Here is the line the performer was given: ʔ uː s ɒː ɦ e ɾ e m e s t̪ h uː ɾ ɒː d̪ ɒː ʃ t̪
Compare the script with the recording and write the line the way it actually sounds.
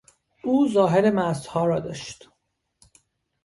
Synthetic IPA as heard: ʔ uː z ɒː ɦ e ɾ e m æ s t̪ h ɒː ɾ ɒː d̪ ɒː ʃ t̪